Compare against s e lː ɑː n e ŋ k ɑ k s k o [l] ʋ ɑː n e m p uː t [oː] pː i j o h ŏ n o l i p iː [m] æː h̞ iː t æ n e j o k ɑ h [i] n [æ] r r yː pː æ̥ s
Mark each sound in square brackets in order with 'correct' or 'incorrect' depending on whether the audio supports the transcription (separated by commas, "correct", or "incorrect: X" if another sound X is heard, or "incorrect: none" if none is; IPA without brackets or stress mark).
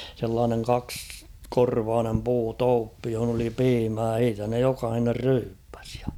incorrect: r, correct, correct, correct, incorrect: e